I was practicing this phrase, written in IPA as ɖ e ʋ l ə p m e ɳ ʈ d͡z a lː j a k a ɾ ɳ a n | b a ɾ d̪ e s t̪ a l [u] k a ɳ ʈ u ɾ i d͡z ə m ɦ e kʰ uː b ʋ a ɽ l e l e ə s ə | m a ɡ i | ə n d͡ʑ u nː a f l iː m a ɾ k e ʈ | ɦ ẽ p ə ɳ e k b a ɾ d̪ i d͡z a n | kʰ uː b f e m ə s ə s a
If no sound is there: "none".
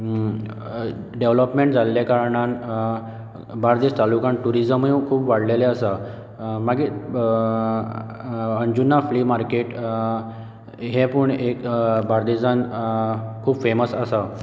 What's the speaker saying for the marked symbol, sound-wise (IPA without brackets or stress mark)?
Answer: u